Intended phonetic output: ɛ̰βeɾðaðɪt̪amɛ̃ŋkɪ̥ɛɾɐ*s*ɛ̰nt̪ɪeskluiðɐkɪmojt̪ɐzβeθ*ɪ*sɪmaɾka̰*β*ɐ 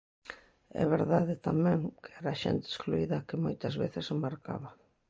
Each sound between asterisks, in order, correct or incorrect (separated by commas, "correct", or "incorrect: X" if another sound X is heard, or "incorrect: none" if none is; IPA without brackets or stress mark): incorrect: ʃ, correct, correct